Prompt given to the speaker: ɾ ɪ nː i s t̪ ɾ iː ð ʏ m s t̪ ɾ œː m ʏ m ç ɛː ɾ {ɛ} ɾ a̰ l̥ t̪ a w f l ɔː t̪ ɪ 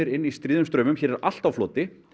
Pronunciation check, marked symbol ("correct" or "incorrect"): correct